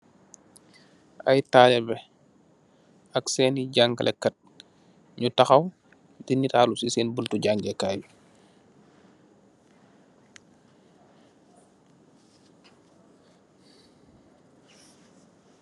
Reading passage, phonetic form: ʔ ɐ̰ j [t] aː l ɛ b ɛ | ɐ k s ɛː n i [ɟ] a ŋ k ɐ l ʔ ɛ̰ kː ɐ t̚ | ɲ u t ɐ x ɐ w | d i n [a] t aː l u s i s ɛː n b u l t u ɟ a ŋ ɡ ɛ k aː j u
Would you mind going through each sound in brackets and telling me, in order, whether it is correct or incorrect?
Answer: correct, correct, incorrect: i

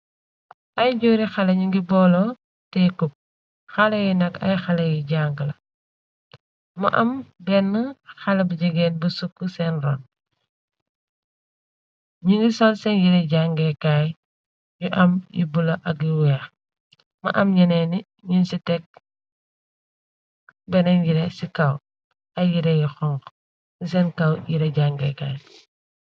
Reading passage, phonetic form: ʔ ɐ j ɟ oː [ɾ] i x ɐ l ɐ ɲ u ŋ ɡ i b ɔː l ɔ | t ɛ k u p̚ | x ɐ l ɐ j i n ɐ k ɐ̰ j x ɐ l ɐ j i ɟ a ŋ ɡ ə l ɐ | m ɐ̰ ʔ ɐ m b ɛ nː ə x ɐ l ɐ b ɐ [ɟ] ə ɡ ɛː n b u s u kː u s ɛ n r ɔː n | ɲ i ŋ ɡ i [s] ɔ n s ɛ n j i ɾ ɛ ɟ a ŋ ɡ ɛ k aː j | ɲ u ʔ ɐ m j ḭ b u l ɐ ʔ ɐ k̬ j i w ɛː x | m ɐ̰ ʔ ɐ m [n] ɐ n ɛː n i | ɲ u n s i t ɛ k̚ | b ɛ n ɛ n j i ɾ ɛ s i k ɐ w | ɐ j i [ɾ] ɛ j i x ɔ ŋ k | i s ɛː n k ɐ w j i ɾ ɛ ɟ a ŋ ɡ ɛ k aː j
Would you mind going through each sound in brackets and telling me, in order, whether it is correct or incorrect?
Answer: correct, correct, correct, incorrect: ɲ, correct

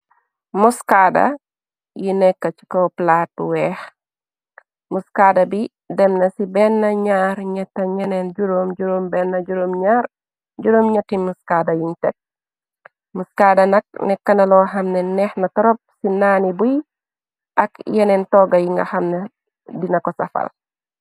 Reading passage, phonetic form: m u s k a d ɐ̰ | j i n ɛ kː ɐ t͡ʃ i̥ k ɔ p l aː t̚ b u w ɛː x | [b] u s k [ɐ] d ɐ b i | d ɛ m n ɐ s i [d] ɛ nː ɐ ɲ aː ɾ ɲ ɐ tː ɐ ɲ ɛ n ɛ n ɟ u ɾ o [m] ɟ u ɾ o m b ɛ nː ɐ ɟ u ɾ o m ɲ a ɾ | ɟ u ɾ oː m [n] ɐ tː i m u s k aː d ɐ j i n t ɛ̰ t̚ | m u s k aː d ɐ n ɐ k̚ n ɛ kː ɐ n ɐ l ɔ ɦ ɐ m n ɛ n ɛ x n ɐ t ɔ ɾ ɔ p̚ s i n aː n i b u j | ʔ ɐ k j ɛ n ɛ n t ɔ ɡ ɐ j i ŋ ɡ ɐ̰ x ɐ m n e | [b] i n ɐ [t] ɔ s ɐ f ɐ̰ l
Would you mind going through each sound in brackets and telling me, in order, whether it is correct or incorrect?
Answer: incorrect: m, incorrect: a, incorrect: b, correct, incorrect: ɲ, incorrect: d, incorrect: k

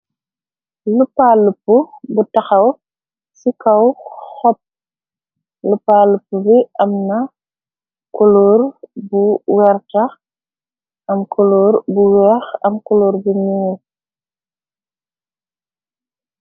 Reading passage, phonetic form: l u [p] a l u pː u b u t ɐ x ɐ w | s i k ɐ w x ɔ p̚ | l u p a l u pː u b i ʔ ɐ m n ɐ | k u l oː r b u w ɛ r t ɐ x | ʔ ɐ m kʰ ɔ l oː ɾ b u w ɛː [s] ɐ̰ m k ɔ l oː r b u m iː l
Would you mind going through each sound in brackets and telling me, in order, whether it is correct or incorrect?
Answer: correct, incorrect: x

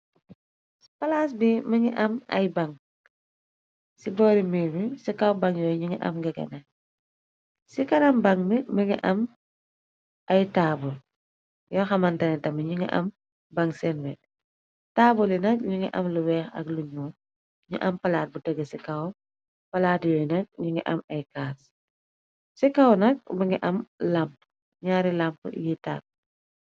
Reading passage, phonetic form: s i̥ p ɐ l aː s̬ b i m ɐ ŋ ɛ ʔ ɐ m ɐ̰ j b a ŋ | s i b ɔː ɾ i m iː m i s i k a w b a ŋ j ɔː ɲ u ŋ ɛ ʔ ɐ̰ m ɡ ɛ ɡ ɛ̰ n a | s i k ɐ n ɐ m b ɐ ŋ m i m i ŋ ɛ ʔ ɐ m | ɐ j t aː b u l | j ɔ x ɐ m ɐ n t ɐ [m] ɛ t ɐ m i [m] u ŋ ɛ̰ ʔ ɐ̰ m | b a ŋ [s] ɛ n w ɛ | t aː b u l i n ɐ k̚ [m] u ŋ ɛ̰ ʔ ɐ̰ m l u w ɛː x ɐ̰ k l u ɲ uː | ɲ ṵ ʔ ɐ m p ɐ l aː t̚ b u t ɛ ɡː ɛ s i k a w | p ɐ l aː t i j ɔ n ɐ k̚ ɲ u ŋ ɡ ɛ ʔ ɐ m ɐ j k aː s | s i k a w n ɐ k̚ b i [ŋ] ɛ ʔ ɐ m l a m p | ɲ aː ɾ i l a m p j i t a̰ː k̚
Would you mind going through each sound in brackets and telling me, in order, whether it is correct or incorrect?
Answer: incorrect: n, incorrect: ɲ, correct, incorrect: ɲ, correct

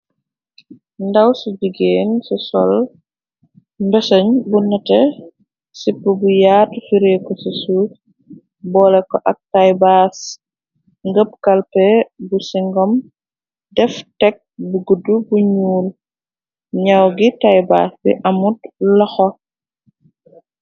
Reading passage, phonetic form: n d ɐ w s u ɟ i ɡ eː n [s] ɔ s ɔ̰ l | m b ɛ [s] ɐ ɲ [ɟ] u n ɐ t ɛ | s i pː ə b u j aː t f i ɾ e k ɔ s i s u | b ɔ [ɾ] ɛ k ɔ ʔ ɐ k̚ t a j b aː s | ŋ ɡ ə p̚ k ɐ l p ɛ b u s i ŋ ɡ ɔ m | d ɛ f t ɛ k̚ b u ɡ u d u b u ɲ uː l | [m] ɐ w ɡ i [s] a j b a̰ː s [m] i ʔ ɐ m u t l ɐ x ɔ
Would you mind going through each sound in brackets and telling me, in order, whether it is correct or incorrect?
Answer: correct, correct, incorrect: b, incorrect: l, incorrect: ɲ, incorrect: t, incorrect: b

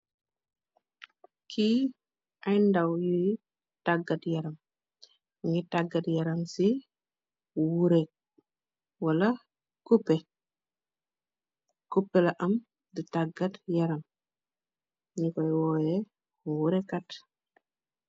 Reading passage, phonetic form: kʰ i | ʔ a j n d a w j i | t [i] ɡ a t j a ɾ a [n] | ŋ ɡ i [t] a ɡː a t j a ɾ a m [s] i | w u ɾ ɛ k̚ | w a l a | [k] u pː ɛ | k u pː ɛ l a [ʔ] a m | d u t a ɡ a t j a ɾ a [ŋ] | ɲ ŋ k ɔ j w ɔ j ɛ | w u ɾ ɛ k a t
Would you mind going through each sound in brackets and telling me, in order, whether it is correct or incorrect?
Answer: incorrect: a, incorrect: m, correct, correct, correct, correct, incorrect: m

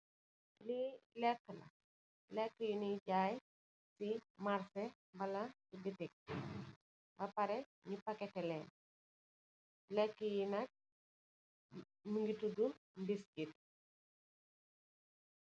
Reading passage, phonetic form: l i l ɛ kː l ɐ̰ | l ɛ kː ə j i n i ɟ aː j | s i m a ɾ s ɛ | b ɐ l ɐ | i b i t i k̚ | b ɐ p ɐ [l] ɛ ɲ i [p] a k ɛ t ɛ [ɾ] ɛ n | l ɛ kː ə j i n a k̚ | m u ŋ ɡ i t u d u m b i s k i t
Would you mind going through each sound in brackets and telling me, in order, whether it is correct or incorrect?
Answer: incorrect: ɾ, correct, incorrect: l

